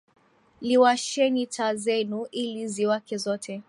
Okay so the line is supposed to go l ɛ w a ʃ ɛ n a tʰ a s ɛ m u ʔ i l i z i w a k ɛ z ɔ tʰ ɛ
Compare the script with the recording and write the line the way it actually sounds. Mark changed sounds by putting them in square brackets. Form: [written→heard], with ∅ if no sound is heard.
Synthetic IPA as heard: l [ɛ→i] w a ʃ ɛ n [a→i] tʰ a [s→z] ɛ [m→n] u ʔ i l i z i w a k ɛ z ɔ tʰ ɛ